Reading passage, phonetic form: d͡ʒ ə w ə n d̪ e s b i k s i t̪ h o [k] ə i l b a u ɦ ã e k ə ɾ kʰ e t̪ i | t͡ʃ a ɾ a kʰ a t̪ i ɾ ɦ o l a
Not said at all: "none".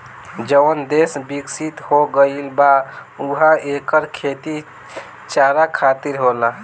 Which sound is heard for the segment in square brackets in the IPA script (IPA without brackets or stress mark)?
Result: ɡ